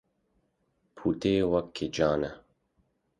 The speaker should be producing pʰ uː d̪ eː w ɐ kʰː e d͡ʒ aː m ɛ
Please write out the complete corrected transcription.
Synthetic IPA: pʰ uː t̪ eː w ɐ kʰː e d͡ʒ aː n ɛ